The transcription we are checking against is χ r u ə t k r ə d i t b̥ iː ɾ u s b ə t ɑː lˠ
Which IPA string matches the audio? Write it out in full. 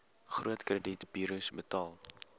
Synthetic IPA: χ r u ə t k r ə d i t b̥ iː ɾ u s b ə t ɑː lˠ

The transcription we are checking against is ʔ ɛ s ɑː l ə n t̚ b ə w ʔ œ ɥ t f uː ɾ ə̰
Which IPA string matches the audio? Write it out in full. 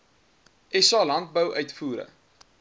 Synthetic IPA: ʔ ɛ s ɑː l ɐ n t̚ b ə w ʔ œ ɥ t f uː ɾ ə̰

